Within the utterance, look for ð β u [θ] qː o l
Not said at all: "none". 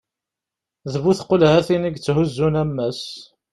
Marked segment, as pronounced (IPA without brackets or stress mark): θ